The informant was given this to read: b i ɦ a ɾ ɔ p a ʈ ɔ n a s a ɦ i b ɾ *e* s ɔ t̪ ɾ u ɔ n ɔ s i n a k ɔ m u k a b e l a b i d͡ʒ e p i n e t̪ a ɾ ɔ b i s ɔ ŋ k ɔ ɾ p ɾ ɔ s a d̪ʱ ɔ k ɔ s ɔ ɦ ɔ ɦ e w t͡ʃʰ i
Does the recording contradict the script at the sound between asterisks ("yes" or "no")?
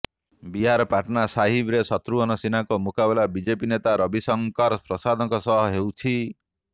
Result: no